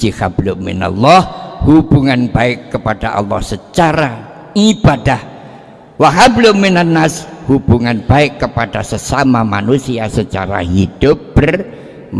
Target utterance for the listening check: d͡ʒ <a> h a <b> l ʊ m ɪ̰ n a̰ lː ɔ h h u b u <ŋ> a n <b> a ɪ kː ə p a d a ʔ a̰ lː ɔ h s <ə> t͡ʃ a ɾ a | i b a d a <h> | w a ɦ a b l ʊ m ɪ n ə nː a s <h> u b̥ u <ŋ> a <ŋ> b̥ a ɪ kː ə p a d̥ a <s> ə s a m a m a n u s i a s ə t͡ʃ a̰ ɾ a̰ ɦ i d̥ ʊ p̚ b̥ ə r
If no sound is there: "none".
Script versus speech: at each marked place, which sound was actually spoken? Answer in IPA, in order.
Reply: i, b, ŋ, b, ə, h, h, ŋ, n, s

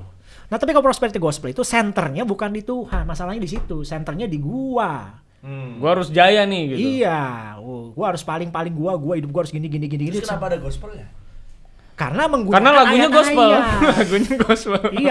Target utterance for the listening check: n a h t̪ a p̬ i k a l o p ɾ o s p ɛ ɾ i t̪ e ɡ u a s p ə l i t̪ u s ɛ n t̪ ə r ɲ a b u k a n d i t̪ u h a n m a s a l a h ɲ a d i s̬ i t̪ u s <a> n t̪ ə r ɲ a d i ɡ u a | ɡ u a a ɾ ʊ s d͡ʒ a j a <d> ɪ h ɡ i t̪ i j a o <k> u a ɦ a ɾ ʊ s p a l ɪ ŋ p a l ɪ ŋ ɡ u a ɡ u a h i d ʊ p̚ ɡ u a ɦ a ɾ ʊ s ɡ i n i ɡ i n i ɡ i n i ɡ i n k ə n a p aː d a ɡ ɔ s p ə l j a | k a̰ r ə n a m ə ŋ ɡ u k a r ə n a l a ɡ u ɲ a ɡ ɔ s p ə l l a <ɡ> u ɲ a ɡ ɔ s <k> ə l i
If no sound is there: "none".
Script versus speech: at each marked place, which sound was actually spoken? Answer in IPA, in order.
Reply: ɛ, n, ɡ, ɡ, p

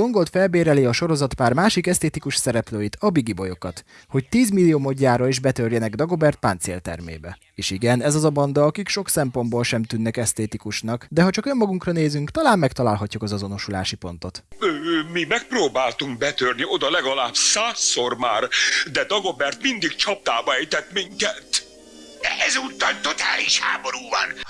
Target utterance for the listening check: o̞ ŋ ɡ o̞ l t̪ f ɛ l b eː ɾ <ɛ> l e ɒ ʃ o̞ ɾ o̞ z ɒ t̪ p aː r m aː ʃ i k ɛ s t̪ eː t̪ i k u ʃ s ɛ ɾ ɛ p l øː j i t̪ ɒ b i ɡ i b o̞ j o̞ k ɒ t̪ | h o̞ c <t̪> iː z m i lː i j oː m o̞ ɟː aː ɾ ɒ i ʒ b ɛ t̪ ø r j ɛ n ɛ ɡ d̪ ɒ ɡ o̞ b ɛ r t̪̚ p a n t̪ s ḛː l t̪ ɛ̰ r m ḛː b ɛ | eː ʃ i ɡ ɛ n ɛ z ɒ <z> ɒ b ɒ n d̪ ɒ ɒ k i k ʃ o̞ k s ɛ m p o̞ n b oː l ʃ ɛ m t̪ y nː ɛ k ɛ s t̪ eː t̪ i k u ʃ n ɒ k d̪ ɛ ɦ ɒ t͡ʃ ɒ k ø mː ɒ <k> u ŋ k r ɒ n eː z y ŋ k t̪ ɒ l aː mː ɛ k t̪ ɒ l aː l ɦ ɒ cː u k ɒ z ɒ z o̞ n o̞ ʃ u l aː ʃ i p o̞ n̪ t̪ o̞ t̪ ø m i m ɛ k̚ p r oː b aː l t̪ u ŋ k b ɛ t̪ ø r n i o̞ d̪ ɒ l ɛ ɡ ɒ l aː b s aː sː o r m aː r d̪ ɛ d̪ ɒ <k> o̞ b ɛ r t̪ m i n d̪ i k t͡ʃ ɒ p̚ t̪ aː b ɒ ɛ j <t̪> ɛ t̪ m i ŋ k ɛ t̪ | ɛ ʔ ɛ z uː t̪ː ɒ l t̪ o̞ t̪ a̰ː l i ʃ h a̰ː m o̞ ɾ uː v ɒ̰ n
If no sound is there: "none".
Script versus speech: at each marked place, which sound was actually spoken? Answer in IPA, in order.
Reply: ɛ, t̪, z, ɡ, ɡ, t̪

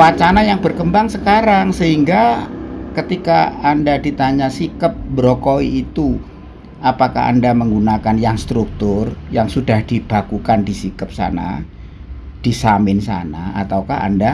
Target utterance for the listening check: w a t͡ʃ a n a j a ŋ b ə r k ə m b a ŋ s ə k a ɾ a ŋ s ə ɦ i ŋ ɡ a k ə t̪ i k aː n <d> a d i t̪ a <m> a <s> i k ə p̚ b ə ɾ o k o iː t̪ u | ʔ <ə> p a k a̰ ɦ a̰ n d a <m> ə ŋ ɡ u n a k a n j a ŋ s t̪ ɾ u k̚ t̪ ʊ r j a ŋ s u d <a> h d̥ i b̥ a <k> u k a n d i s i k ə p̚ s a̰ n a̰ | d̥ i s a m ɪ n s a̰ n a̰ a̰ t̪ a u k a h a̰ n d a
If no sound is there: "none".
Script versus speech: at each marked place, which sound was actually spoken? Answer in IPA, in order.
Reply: d, ɲ, s, a, m, a, k

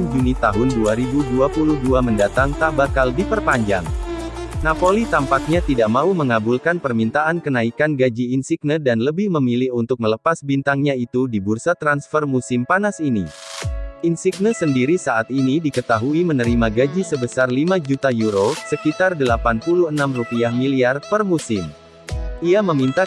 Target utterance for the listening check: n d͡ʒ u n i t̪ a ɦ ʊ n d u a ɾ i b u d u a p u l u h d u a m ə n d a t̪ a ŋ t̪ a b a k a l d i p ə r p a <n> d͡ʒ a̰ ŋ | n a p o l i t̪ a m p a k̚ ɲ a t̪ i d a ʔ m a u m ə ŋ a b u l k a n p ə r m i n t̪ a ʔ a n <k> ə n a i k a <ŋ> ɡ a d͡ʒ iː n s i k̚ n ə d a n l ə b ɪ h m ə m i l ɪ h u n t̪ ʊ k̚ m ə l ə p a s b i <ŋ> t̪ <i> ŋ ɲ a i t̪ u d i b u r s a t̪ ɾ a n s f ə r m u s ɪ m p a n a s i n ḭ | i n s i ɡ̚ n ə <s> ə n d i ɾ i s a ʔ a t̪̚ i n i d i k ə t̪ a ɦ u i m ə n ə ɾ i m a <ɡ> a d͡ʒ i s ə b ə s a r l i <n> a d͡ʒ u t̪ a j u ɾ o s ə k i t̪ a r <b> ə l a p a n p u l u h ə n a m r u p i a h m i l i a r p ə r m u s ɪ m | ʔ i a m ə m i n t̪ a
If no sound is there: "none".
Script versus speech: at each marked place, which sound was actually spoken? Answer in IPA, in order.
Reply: ɲ, k, n, n, a, s, ɡ, m, d

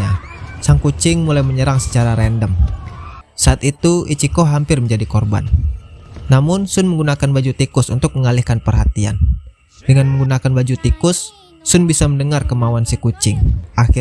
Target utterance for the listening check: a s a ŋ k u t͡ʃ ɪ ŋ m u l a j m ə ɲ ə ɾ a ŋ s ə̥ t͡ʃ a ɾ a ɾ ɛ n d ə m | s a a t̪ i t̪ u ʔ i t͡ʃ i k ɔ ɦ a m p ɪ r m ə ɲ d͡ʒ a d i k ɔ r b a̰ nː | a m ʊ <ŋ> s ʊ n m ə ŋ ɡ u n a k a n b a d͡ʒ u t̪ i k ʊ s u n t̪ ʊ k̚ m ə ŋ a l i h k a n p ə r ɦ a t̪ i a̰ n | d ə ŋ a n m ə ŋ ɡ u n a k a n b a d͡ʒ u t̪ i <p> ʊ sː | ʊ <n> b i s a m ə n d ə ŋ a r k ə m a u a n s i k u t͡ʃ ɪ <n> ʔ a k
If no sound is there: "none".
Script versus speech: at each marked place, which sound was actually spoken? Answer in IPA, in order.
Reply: n, k, n, ŋ

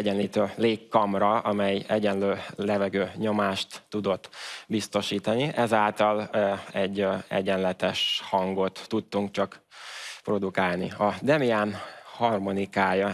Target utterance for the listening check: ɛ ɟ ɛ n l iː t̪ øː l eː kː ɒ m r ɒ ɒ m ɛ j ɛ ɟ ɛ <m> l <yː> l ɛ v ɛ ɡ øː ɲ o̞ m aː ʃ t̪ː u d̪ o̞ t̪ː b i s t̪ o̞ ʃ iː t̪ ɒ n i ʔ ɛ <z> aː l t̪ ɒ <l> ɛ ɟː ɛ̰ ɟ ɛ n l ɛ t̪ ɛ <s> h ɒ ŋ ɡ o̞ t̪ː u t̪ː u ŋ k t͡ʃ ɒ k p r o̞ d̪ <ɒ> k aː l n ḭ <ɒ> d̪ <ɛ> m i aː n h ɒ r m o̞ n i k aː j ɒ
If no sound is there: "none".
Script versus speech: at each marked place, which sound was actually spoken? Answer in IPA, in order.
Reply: n, øː, z, l, ʃ, u, ɒ, ɛ

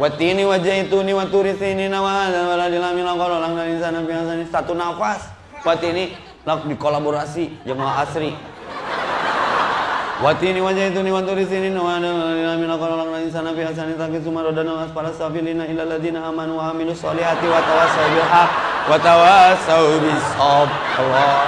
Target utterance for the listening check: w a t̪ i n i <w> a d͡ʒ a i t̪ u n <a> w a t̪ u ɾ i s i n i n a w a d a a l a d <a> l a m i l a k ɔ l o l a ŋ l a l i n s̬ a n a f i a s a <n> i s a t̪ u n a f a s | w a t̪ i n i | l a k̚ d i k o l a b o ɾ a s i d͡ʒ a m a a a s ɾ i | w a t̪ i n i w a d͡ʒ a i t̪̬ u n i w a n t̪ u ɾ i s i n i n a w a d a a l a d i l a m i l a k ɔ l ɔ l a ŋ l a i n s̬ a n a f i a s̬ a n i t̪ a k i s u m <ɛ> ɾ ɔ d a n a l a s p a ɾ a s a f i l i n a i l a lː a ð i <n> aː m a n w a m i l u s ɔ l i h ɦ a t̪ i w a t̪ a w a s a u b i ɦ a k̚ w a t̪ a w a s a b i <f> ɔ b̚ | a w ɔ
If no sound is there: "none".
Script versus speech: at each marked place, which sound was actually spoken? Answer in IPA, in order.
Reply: w, i, i, n, a, n, s

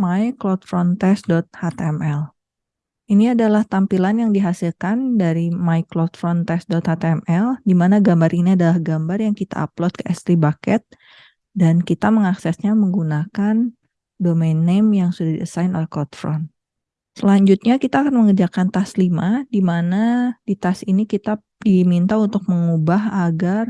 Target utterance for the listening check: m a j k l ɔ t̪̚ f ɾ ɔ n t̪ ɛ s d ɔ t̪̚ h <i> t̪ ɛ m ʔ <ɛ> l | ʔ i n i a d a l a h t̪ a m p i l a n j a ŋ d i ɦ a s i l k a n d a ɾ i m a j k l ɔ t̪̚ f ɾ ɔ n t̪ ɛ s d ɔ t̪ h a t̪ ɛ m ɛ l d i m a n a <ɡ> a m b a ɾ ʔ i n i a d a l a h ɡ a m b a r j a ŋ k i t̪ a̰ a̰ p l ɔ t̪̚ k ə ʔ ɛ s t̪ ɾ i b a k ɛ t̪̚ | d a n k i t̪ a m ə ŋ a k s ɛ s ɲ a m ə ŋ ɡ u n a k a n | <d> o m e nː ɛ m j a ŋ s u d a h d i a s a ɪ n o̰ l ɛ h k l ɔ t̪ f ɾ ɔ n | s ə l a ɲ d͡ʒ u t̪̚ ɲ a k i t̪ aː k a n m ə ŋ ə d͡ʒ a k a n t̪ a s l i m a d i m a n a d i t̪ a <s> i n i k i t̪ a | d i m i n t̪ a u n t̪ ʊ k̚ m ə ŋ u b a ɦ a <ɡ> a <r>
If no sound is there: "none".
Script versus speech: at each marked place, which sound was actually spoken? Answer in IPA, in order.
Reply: a, ɛ, ɡ, d, s, ɡ, r

